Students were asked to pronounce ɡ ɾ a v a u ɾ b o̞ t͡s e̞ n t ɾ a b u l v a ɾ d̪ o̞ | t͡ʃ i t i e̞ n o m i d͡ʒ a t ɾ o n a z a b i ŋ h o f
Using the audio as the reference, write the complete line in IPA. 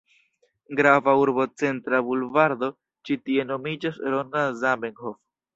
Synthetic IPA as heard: ɡ ɾ a v a u ɾ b o̞ t͡s e̞ n t ɾ a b u l v a ɾ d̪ o̞ | t͡ʃ i t i e̞ n o m i d͡ʒ a s ɾ o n a z a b e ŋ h o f